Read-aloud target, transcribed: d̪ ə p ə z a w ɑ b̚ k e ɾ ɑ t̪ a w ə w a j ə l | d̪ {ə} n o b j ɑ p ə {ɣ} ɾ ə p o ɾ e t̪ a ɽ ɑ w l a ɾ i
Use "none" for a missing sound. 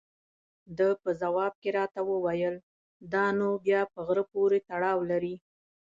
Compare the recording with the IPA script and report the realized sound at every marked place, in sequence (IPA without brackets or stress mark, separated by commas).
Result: ɑ, ɣ